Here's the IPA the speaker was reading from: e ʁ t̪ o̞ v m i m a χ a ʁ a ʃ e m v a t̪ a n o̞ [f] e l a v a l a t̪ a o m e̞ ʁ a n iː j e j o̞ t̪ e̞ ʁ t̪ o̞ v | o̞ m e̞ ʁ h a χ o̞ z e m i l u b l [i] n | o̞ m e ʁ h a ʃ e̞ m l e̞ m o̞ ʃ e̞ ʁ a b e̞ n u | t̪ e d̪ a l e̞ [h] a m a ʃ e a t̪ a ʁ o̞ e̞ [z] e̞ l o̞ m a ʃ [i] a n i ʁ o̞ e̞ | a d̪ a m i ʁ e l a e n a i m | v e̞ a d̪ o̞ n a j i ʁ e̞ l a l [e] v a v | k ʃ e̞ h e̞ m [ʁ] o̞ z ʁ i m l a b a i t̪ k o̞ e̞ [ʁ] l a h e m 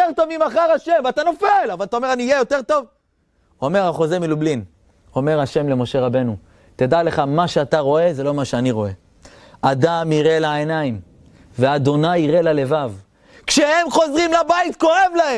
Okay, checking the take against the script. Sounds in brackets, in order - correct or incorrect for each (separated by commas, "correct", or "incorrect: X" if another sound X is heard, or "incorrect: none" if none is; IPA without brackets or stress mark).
correct, correct, incorrect: χ, correct, incorrect: e, correct, incorrect: χ, incorrect: v